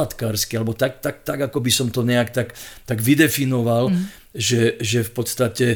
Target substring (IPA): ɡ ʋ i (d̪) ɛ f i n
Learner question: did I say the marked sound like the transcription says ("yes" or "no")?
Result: yes